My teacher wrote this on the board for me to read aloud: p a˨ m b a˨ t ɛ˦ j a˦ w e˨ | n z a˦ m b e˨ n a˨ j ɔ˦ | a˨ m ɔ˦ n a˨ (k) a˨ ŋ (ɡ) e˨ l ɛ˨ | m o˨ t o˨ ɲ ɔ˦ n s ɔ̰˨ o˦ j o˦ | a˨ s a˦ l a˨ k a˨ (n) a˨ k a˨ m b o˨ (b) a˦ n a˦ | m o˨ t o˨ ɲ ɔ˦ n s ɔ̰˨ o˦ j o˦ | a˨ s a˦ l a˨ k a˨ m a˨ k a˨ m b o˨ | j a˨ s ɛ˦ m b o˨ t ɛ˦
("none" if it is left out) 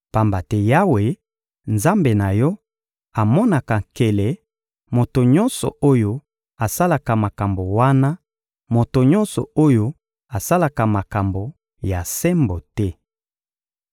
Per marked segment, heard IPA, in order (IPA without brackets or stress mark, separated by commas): k, k, m, w